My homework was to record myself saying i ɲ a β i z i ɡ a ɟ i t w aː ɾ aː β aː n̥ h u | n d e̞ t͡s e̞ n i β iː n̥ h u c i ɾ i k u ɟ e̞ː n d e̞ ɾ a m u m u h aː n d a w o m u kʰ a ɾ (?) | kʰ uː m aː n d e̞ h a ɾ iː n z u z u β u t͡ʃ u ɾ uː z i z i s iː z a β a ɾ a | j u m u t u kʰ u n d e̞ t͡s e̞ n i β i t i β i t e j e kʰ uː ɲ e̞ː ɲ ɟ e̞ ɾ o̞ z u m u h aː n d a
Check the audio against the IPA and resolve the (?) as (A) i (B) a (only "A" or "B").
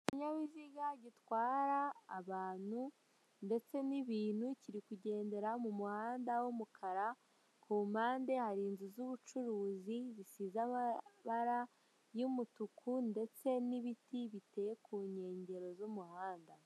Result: B